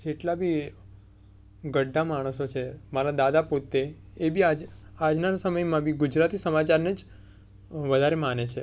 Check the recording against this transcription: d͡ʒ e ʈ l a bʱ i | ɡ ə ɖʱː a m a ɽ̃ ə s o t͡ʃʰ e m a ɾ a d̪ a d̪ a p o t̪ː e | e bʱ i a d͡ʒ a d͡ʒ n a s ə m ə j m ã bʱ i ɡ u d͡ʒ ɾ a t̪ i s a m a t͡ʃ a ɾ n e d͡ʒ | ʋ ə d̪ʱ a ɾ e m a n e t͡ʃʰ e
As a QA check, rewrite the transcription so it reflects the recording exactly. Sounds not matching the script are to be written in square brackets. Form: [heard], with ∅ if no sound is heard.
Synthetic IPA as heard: d͡ʒ e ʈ l a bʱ i | ɡ ə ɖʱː a m a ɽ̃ ə s o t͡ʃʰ e m a ɾ a d̪ a d̪ a p o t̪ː e | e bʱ i a d͡ʒ a d͡ʒ n a s ə m ə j m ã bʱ i ɡ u d͡ʒ ɾ a t̪ i s [ə] m a t͡ʃ a ɾ n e d͡ʒ | ʋ ə d̪ʱ a ɾ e m a n e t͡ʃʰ e